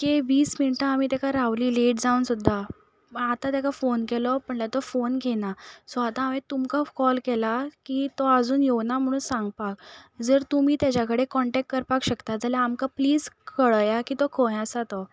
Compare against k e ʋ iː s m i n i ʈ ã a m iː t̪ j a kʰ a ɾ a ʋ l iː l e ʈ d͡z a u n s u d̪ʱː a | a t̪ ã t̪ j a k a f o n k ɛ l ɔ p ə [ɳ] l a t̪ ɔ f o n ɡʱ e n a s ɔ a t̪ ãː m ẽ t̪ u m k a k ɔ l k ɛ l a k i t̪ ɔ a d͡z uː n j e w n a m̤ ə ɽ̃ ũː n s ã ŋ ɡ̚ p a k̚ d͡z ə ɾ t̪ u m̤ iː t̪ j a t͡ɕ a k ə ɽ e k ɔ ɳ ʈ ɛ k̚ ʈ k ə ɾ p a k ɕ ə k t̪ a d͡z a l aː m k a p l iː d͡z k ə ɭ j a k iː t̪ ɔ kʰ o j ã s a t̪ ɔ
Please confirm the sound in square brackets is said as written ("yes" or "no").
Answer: yes